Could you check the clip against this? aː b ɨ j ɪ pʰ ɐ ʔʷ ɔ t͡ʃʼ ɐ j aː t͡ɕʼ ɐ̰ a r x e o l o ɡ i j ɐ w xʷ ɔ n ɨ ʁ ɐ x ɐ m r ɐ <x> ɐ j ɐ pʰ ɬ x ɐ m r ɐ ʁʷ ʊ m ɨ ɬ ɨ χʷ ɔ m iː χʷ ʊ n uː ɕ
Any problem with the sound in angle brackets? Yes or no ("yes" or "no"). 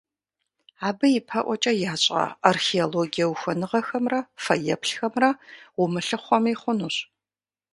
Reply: yes